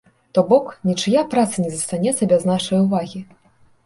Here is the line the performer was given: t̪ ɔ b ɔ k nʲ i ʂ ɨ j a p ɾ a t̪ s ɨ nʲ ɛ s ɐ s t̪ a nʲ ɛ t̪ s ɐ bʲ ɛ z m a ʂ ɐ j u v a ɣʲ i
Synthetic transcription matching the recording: t̪ ɔ b ɔ k nʲ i t͡ʂ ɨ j a p ɾ a t̪ s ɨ nʲ ɛ z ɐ s t̪ a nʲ ɛ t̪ s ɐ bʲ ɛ z n a ʂ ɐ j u v a ɣʲ i